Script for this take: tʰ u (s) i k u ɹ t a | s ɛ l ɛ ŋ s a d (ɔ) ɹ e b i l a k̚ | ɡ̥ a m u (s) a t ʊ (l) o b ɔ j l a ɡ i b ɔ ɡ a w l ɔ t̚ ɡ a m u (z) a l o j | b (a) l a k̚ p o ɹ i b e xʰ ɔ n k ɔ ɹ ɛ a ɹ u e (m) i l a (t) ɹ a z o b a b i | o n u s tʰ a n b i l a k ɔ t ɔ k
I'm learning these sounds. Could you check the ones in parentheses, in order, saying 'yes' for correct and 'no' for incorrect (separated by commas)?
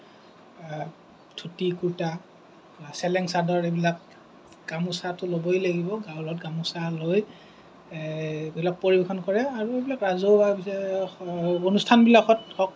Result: no, yes, yes, yes, no, no, no, no